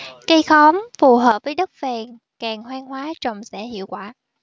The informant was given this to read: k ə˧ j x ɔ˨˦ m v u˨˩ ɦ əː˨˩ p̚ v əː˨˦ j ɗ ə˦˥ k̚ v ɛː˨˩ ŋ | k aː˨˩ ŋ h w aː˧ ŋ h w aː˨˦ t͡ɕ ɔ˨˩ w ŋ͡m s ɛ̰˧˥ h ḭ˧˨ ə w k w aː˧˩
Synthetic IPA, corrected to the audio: k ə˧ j x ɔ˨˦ m f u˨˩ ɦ əː˨˩ p̚ v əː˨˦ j ɗ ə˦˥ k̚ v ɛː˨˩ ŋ | k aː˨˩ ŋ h w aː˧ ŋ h w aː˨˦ t͡ɕ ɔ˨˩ w ŋ͡m s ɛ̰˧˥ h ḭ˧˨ ə w k w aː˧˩